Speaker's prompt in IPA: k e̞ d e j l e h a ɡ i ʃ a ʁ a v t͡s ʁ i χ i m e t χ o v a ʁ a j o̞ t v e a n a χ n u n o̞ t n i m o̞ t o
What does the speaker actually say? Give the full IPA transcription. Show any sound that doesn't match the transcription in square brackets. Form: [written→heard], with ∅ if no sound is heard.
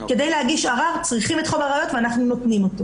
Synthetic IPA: k e̞ d e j l e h a ɡ i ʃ a ʁ a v t͡s ʁ i χ i m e t χ o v a ʁ a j o̞ t v e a n a χ n u n o̞ t n i m o̞ t o